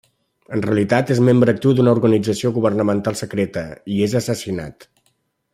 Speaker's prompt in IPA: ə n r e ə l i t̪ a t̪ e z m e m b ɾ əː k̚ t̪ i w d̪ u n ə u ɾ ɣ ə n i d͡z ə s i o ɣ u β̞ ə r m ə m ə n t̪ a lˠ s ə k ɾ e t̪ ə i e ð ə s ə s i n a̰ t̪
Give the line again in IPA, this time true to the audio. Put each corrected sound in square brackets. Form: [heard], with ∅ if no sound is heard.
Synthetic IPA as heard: ə n r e ə l i t̪ a t̪ e z m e m b ɾ əː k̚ t̪ i w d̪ u n ə u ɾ ɣ ə n i d͡z ə s i o ɣ u β̞ ə r [n] ə m ə n t̪ a lˠ s ə k ɾ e t̪ ə i e [z] ə s ə s i n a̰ t̪